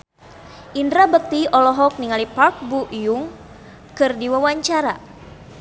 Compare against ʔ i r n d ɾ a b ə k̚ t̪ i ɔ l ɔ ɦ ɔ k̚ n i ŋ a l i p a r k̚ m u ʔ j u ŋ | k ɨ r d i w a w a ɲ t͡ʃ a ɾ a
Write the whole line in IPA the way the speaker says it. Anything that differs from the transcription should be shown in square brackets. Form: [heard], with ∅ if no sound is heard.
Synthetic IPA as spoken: ʔ i [∅] n d ɾ a b ə k̚ t̪ i ɔ l ɔ ɦ ɔ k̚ n i ŋ a l i p a r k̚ [b] u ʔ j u ŋ | k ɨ r d i w a w a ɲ t͡ʃ a ɾ a

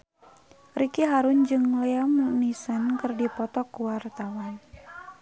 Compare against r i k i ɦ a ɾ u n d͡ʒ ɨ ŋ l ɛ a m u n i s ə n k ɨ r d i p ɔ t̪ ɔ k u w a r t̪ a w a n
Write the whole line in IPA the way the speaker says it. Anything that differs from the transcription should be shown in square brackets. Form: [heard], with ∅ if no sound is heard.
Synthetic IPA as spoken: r i k i ɦ a ɾ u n d͡ʒ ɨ ŋ l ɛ a m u n i s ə n k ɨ r d i p ɔ t̪ ɔ k u w a r t̪ a w a n

